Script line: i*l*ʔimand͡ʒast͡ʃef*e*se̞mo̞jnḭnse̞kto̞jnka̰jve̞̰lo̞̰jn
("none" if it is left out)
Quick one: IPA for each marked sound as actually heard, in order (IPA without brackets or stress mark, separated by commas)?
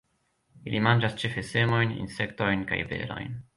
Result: l, e